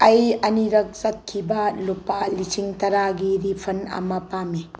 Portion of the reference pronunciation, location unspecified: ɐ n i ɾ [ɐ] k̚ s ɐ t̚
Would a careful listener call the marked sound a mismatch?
no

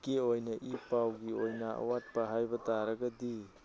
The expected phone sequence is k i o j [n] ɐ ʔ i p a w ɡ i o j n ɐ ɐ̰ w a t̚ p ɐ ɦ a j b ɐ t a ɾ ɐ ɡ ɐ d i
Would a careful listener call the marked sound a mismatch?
no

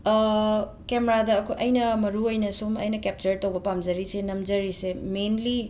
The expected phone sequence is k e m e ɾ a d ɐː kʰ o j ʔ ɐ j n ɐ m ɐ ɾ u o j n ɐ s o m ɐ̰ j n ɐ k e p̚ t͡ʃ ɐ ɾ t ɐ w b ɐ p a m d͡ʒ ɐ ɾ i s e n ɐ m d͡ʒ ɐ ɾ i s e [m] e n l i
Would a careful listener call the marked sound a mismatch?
no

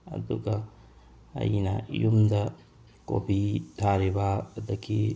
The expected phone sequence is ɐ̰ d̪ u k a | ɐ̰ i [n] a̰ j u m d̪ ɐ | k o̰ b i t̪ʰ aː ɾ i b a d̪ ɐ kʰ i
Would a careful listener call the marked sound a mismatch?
no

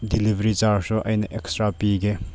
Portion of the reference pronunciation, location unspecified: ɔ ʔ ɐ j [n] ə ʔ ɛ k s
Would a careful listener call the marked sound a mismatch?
no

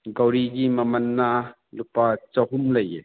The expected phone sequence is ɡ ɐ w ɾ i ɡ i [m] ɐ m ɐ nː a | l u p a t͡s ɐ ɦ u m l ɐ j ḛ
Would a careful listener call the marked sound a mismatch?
no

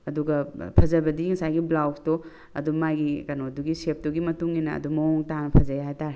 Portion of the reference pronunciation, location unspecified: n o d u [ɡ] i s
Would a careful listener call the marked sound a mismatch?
no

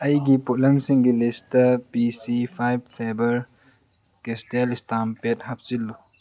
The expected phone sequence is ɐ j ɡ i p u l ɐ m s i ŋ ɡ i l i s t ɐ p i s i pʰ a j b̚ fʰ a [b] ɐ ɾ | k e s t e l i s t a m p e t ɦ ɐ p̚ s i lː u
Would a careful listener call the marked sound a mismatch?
no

